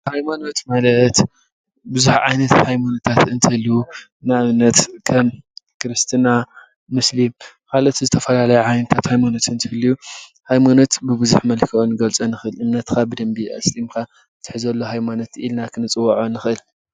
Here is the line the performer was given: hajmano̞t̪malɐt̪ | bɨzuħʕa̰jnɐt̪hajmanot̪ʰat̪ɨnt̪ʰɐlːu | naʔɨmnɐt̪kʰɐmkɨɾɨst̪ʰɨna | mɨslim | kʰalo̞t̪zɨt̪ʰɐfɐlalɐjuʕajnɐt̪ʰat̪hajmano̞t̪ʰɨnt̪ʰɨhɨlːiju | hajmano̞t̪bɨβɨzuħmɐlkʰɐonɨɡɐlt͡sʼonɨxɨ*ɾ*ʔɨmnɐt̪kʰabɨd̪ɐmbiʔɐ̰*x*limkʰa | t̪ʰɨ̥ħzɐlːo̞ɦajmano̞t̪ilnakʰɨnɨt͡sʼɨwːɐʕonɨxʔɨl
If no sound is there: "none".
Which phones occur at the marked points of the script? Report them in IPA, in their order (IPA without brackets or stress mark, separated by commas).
l, s